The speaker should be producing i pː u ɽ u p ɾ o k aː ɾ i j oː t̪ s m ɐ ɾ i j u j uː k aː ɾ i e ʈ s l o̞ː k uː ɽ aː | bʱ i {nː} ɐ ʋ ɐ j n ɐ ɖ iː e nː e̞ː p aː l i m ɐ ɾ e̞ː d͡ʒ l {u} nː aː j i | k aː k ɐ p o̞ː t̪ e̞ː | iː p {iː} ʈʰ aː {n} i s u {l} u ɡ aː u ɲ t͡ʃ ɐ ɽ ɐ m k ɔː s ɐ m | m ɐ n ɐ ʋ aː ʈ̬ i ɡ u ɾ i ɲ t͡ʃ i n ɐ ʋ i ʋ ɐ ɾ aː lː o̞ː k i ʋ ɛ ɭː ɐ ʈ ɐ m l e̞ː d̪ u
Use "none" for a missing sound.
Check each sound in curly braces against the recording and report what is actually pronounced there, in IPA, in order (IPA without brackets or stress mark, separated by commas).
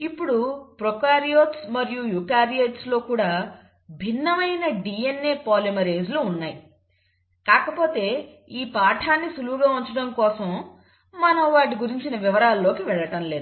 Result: nː, uː, aː, nː, l